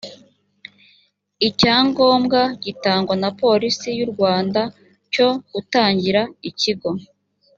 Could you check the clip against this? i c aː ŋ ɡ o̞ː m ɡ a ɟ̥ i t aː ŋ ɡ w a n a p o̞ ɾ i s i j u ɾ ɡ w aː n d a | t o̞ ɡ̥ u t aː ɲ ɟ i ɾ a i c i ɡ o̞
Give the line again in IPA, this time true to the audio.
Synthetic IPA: i c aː ŋ ɡ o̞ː m ɡ a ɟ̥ i t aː ŋ ɡ w a n a p o̞ ɾ i s i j u ɾ ɡ w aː n d a | c o̞ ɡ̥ u t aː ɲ ɟ i ɾ a i c i ɡ o̞